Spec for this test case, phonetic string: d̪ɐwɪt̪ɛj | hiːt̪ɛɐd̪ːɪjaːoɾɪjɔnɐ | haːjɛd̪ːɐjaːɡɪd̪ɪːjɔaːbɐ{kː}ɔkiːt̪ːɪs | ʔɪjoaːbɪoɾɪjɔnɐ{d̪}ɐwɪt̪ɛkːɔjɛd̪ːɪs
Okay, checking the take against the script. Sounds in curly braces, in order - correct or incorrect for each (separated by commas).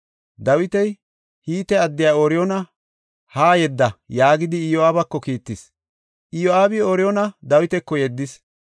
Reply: correct, correct